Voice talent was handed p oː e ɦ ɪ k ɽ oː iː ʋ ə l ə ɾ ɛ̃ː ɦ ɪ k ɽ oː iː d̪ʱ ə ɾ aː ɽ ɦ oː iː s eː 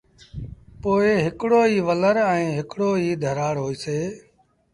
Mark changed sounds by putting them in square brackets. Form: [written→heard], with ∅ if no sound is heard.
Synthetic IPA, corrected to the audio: p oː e ɦ ɪ k ɽ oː iː ʋ ə l ə ɾ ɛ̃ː ɦ ɪ k ɽ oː iː d̪ʱ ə ɾ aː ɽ ɦ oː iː s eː